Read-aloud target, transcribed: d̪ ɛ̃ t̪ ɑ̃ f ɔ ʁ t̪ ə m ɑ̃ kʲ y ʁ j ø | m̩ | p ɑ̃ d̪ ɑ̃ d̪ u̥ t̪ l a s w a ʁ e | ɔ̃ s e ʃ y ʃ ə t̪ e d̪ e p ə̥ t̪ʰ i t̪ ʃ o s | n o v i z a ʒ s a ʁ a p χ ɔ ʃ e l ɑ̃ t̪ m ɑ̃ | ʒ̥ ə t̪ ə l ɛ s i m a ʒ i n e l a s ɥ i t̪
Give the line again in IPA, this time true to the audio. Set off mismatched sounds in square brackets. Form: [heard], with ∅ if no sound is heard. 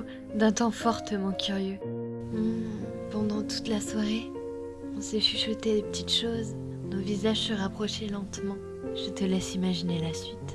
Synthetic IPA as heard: d̪ ɛ̃ t̪ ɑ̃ f ɔ ʁ t̪ ə m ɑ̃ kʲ y ʁ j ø | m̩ | p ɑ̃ d̪ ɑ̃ [t̪] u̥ t̪ l a s w a ʁ e | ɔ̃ s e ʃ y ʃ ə t̪ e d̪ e p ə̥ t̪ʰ i t̪ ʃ o [z] | n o v i z a ʒ s [ə] ʁ a p χ ɔ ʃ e l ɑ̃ t̪ m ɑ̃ | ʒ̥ ə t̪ ə l ɛ s i m a ʒ i n e l a s ɥ i t̪

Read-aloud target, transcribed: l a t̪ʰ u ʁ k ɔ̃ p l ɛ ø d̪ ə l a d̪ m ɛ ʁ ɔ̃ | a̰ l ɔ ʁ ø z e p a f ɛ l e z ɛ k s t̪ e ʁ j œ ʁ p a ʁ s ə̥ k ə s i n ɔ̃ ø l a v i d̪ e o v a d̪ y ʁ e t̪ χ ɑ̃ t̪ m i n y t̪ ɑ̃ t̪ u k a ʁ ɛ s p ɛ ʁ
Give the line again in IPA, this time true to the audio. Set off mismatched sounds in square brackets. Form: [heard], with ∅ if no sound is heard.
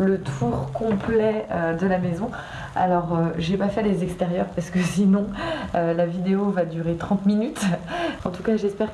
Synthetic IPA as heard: l [ə] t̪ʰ u ʁ k ɔ̃ p l ɛ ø d̪ ə l a [∅] m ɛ [z] ɔ̃ | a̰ l ɔ ʁ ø [ʒ] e p a f ɛ l e z ɛ k s t̪ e ʁ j œ ʁ p a ʁ s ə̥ k ə s i n ɔ̃ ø l a v i d̪ e o v a d̪ y ʁ e t̪ χ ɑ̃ t̪ m i n y t̪ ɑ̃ t̪ u k a [ʒ] ɛ s p ɛ ʁ

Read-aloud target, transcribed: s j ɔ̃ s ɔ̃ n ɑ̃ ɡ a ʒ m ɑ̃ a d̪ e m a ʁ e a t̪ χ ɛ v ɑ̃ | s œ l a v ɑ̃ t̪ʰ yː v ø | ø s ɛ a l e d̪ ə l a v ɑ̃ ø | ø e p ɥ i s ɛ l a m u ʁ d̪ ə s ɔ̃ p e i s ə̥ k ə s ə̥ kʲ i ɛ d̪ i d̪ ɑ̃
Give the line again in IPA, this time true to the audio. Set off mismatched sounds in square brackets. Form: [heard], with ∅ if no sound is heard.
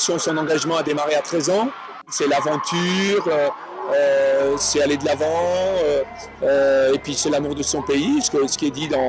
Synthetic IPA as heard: s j ɔ̃ s ɔ̃ n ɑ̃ ɡ a ʒ m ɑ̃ a d̪ e m a ʁ e a t̪ χ ɛ [z] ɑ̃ | s [ɛ] l a v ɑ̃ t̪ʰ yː [ʁ] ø | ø s ɛ a l e d̪ ə l a v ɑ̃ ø | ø e p ɥ i s ɛ l a m u ʁ d̪ ə s ɔ̃ p e i s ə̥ k ə s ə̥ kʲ i ɛ d̪ i d̪ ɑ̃

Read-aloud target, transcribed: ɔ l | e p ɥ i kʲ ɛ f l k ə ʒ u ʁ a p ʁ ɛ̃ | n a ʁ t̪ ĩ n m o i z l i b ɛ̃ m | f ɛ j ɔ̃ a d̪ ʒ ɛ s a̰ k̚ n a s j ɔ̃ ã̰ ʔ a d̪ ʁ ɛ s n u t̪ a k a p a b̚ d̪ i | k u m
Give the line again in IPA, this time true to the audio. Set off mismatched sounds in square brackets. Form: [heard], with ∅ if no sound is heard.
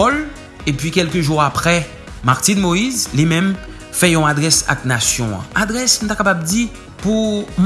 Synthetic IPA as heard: ɔ l | e p ɥ i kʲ ɛ [∅] l k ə ʒ u ʁ a p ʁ [ɛ] | [m] a ʁ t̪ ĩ n m o i z l i [m] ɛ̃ m | f ɛ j ɔ̃ a d̪ [ʁ] ɛ s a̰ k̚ n a s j ɔ̃ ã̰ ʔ a d̪ ʁ ɛ s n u t̪ a k a p a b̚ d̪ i | [p] u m

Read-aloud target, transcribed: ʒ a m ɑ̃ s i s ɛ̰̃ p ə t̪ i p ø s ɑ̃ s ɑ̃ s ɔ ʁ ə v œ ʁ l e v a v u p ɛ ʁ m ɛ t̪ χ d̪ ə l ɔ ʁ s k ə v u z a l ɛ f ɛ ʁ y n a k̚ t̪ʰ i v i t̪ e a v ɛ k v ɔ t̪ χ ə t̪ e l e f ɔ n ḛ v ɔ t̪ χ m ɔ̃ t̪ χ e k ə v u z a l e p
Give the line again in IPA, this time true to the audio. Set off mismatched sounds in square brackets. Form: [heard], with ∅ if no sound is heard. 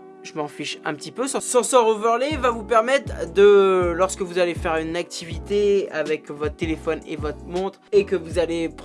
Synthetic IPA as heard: ʒ [ə] m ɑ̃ [f] i [ʃ] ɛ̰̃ p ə t̪ i p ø s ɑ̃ s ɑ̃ s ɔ ʁ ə v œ ʁ l e v a v u p ɛ ʁ m ɛ t̪ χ d̪ ə l ɔ ʁ s k ə v u z a l [e] f ɛ ʁ y n a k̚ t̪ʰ i v i t̪ e a v ɛ k v ɔ t̪ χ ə t̪ e l e f ɔ n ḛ v ɔ t̪ χ m ɔ̃ t̪ χ e k ə v u z a l e p

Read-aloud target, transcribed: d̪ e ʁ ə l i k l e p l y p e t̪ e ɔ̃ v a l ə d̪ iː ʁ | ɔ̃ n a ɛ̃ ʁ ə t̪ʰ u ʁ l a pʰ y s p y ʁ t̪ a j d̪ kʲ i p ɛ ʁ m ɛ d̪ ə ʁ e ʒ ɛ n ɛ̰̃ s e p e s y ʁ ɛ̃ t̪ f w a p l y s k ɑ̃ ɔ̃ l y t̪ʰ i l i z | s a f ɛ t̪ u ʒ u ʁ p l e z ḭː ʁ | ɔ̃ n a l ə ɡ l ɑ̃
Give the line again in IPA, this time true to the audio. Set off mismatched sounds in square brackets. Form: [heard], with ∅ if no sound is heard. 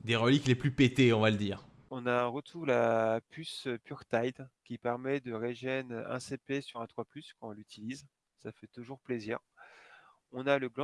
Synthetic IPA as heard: d̪ e ʁ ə l i k l e p l y p e t̪ e ɔ̃ v a l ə d̪ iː ʁ | ɔ̃ n a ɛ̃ ʁ ə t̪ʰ u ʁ l a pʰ y s p y ʁ t̪ a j d̪ kʲ i p ɛ ʁ m ɛ d̪ ə ʁ e ʒ ɛ n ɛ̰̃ s e p e s y ʁ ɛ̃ t̪ [χ] w a p l y s k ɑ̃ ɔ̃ l y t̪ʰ i l i z | s a f ɛ t̪ u ʒ u ʁ p l e z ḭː ʁ | ɔ̃ n a l ə ɡ l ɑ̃

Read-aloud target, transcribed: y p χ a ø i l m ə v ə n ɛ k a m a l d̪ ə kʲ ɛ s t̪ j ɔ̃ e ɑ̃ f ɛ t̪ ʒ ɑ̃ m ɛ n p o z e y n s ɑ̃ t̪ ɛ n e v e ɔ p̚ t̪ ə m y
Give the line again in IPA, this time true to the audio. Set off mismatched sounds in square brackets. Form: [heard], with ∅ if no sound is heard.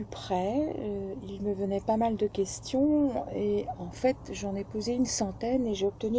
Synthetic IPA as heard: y p χ [ɛ] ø i l m ə v ə n ɛ [p] a m a l d̪ ə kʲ ɛ s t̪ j ɔ̃ e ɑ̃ f ɛ t̪ ʒ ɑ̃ [n] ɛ [∅] p o z e y n s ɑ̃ t̪ ɛ n e [ʒ] e ɔ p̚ t̪ ə [n] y

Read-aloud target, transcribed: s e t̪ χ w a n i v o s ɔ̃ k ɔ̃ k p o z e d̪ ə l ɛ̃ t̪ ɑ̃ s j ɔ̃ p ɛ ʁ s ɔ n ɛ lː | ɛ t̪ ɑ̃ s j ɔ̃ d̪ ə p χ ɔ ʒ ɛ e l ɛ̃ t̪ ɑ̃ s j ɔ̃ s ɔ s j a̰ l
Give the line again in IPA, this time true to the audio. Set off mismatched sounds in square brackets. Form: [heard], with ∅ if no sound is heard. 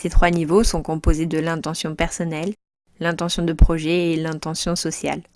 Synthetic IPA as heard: s e t̪ χ w a n i v o s ɔ̃ k ɔ̃ [∅] p o z e d̪ ə l ɛ̃ t̪ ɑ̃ s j ɔ̃ p ɛ ʁ s ɔ n ɛ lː | [ɛ̃] t̪ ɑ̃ s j ɔ̃ d̪ ə p χ ɔ ʒ ɛ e l ɛ̃ t̪ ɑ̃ s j ɔ̃ s ɔ s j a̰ l

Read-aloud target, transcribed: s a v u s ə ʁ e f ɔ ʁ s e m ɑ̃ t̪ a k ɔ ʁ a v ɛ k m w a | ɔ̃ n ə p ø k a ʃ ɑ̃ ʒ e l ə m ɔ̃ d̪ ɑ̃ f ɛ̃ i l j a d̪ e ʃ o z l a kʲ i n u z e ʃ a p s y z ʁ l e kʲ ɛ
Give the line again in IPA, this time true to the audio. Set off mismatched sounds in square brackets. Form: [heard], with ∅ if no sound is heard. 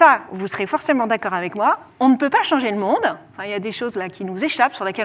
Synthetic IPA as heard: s a v u s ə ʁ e f ɔ ʁ s e m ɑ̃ [d̪] a k ɔ ʁ a v ɛ k m w a | ɔ̃ n ə p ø [p] a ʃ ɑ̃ ʒ e l ə m ɔ̃ d̪ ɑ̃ f ɛ̃ i l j a d̪ e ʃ o z l a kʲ i n u z e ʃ a p s y [∅] ʁ l e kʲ ɛ

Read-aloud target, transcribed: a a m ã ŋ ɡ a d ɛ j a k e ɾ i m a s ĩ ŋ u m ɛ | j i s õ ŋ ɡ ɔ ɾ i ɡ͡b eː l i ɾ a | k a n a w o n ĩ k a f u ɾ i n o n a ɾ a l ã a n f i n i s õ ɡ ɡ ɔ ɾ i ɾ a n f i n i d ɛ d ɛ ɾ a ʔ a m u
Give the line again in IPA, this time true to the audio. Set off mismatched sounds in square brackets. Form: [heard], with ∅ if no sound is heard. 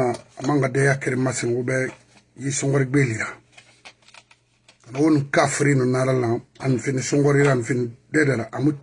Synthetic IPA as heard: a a m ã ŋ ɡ a d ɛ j a k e ɾ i m a s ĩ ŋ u [b] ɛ | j i s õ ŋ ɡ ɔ ɾ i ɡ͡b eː l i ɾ a | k a n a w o n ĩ k a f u ɾ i n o n a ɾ a l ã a n f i n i s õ [ŋ] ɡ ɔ ɾ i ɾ a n f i n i d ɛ d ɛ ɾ a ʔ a m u

